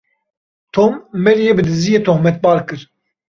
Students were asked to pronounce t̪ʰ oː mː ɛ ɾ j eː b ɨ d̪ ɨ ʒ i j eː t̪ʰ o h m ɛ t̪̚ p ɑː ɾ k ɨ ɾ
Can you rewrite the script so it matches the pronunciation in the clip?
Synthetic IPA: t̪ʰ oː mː ɛ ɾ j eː b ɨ d̪ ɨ z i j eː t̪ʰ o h m ɛ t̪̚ b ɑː ɾ k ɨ ɾ